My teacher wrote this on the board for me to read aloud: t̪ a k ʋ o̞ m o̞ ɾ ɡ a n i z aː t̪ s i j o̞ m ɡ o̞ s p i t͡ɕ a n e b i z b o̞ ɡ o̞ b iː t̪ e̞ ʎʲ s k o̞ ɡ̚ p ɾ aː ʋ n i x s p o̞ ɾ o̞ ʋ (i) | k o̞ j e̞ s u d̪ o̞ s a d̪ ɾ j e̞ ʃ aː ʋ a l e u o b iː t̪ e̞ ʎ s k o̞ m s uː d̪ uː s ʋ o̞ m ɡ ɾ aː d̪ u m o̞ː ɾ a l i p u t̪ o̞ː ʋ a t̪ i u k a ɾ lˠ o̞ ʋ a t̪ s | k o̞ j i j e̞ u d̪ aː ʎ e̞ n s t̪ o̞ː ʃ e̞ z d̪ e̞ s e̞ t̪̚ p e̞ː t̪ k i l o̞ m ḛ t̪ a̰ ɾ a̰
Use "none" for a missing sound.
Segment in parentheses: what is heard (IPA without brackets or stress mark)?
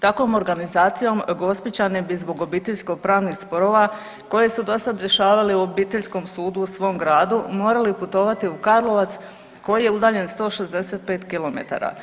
a